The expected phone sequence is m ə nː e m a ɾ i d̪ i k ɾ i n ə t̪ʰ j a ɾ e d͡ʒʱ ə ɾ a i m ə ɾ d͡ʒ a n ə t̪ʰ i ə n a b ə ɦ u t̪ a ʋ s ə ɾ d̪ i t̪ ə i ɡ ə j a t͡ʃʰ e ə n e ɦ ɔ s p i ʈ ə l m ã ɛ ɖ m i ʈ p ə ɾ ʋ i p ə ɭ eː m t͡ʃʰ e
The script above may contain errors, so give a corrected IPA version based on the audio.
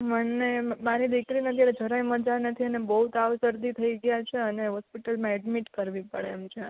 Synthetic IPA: m ə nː e m a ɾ i d̪ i k ɾ i n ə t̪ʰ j a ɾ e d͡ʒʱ ə ɾ a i m ə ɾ d͡ʒ a n ə t̪ʰ i ə n e b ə ɦ u t̪ a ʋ s ə ɾ d̪ i t̪ʰ ə i ɡ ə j a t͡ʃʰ e ə n e ɦ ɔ s p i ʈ ə l m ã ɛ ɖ m i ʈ k ə ɾ ʋ i p ə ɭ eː m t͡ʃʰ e